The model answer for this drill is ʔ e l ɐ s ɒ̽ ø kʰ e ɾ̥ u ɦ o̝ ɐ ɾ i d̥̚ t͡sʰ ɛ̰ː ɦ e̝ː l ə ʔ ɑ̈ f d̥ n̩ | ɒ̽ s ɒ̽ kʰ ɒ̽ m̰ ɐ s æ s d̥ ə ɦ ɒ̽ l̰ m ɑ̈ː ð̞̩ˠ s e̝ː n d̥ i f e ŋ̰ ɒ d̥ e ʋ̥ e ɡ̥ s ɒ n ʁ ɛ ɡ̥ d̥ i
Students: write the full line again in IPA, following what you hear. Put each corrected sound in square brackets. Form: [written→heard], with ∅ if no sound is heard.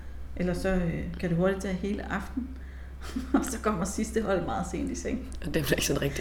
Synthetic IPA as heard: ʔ e l ɐ s ɒ̽ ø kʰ [e→æ] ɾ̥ u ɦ o̝ ɐ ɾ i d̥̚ t͡sʰ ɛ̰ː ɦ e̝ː l ə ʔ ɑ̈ f d̥ n̩ | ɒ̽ s ɒ̽ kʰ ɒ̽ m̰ ɐ s [æ→i] s d̥ ə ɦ ɒ̽ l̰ m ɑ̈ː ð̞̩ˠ s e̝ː n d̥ i [f→s] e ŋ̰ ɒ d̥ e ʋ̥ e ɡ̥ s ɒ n ʁ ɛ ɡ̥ d̥ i